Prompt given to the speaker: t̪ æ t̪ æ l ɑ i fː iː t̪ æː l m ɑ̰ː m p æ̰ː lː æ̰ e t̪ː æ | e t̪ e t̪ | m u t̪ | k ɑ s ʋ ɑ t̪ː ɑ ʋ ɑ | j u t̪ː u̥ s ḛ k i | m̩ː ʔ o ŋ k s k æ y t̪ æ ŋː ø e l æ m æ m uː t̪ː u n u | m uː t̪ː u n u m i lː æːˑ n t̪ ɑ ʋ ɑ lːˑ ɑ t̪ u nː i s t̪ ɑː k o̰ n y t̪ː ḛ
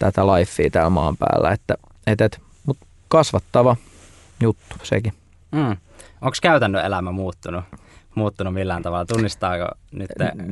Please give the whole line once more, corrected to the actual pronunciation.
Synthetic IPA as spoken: t̪ æ t̪ æ l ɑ i fː iː t̪ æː l m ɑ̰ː m p æ̰ː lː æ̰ e t̪ː æ | e t̪ e t̪ | m u t̪ | k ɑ s ʋ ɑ t̪ː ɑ ʋ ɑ | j u t̪ː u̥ s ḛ k i | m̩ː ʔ o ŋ k s k æ y t̪ æ nː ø e l æ m æ m uː t̪ː u n u | m uː t̪ː u n u m i lː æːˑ n t̪ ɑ ʋ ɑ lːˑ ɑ t̪ u nː i s t̪ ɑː k o̰ n y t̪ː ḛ